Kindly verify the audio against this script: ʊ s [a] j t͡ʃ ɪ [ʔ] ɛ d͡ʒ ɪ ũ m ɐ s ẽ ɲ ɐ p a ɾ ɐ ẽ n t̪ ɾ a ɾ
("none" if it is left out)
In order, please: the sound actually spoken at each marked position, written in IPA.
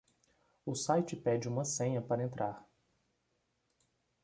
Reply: a, p

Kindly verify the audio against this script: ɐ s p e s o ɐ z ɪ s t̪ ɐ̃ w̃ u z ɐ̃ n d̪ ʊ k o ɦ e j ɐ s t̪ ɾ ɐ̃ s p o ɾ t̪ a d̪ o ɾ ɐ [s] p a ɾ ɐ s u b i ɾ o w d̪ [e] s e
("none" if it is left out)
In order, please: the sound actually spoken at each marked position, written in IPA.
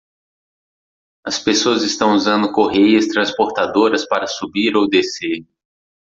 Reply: s, e

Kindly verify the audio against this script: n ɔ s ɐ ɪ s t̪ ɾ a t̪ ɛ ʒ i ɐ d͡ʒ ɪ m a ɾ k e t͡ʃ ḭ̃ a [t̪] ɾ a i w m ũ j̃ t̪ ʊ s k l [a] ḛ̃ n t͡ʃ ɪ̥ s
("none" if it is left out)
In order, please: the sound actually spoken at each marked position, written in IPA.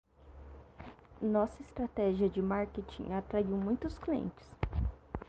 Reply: t̪, i

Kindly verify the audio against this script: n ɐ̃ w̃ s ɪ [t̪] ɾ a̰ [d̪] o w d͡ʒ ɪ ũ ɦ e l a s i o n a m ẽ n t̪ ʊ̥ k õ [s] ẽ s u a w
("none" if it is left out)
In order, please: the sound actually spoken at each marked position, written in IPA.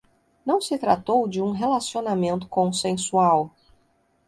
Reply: t̪, t̪, s

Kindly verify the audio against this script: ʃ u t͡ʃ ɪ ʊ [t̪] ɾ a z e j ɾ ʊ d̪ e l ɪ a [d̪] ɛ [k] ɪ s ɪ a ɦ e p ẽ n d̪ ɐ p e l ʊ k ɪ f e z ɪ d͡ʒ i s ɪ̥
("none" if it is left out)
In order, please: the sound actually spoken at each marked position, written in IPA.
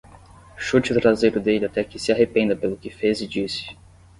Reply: t̪, t̪, k

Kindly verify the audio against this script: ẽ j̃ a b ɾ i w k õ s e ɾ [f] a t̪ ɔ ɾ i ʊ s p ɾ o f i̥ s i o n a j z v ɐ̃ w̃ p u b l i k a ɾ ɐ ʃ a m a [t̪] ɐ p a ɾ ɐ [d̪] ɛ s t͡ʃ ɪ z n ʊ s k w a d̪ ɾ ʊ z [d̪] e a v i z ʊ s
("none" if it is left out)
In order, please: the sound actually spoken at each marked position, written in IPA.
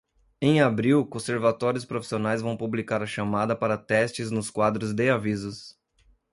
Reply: v, d̪, t̪, d̪

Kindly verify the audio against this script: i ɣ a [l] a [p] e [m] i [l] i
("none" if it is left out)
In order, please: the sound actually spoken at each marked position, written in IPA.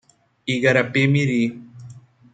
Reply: ɾ, p, m, ɾ

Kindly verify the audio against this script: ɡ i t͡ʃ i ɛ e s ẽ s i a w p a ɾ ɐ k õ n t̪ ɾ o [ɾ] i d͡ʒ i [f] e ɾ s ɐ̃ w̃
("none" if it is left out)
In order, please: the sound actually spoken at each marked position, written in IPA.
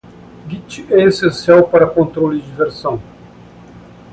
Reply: l, v

